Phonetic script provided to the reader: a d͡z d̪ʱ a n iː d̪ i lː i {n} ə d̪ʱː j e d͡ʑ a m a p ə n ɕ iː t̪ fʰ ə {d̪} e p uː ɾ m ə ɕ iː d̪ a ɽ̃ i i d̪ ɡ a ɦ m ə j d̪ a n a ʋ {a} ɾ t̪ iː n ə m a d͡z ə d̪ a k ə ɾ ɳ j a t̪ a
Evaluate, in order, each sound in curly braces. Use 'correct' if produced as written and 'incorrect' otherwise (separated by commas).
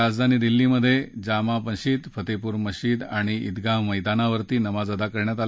incorrect, incorrect, incorrect